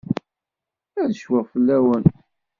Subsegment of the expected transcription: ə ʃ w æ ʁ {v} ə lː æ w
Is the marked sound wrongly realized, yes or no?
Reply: yes